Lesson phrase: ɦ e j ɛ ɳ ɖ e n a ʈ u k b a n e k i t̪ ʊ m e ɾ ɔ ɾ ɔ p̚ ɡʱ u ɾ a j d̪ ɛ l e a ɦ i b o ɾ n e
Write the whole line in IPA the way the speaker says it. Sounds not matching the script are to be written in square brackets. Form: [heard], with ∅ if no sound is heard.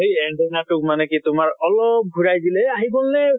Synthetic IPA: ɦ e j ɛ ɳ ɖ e n a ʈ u k [m] a n e k i t̪ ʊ m [a] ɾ ɔ [l] ɔ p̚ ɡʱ u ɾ a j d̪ [i] l e a ɦ i b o [l] n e